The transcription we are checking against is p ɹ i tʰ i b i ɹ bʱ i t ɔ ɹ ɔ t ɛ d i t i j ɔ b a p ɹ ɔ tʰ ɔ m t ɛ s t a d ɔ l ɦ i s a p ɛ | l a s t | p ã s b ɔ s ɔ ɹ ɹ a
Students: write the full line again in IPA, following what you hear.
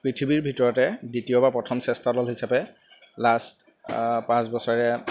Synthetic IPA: p ɹ i tʰ i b i ɹ bʱ i t ɔ ɹ ɔ t ɛ d i t i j ɔ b a p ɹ ɔ tʰ ɔ m s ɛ s t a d ɔ l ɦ i s a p ɛ | l a s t | p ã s b ɔ s ɔ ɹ ɹ ɛ